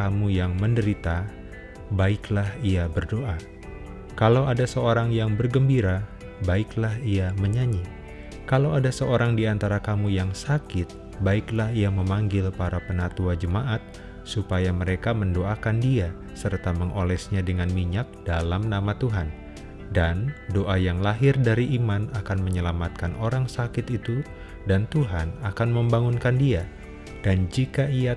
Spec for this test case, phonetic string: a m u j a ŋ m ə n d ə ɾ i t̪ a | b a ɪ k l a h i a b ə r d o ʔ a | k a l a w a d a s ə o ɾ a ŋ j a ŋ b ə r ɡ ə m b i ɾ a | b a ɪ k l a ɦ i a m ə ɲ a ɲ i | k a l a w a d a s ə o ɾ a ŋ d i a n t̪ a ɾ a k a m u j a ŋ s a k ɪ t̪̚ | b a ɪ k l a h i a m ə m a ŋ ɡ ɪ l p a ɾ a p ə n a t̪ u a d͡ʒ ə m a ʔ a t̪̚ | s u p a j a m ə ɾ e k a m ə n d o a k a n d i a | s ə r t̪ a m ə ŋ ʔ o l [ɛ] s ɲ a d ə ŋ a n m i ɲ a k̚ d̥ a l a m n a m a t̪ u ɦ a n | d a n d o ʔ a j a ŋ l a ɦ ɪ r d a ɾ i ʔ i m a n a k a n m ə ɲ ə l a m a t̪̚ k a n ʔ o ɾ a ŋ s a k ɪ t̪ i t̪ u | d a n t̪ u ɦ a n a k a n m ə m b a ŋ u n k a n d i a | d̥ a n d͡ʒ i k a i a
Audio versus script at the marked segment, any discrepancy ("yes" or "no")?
no